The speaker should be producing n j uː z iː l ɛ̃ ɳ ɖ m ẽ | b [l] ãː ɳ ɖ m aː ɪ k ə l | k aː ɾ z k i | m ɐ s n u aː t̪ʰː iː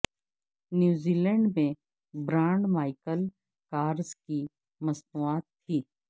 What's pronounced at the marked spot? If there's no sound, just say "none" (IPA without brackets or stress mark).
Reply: ɾ